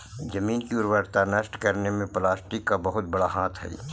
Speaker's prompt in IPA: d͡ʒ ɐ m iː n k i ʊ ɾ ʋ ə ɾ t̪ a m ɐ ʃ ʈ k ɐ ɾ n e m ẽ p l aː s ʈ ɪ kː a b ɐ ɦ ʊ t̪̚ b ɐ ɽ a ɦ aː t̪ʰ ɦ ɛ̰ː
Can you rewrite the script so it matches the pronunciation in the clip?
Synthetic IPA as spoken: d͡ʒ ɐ m iː n k i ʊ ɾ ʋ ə ɾ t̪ a n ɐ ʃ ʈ k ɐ ɾ n e m ẽ p l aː s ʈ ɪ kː a b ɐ ɦ ʊ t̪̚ b ɐ ɽ a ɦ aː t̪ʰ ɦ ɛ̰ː